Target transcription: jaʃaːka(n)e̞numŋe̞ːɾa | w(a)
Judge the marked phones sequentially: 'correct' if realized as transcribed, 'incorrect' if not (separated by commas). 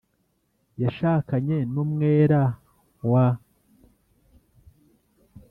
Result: incorrect, correct